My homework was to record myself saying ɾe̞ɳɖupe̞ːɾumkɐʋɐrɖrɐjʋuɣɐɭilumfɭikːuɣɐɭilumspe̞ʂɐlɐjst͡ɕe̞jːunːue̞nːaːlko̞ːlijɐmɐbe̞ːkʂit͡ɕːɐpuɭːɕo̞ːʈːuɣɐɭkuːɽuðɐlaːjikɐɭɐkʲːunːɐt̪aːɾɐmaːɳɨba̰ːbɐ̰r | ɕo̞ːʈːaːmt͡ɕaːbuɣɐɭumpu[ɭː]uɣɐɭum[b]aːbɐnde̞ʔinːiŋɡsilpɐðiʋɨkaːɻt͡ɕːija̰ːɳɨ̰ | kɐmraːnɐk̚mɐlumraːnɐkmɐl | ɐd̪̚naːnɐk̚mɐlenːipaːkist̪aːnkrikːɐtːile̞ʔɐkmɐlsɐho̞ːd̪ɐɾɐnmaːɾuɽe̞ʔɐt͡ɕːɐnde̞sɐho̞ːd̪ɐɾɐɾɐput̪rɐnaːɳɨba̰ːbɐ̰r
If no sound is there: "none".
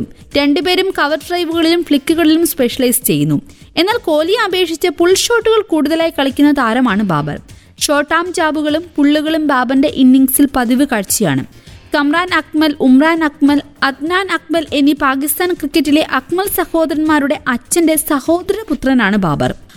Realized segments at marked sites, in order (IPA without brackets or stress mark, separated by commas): ɭː, b